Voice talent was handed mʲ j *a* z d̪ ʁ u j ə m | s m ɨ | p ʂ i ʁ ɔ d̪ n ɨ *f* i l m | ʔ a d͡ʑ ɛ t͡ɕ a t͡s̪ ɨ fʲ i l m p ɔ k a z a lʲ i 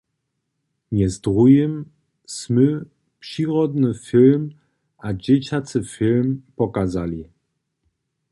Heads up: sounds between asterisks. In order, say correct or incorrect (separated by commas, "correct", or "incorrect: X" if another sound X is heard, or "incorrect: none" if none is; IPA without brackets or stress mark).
incorrect: ɛ, correct